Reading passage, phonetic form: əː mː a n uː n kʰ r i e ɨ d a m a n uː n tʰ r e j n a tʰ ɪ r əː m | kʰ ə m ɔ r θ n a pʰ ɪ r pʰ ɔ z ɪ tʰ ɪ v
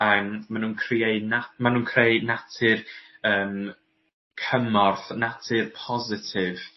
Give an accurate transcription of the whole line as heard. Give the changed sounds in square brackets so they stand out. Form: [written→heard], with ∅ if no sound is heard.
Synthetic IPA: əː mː a n uː n kʰ r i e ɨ [d→n] a m a n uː n [tʰ→kʰ] r e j n a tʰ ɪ r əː m | kʰ ə m ɔ r θ n a [pʰ→tʰ] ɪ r pʰ ɔ z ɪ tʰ ɪ v